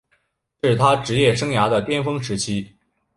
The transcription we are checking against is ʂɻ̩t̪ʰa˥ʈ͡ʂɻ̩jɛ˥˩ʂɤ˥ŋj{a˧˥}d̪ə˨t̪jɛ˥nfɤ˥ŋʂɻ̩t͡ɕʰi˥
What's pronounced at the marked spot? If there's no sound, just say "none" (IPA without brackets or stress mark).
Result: a˧˥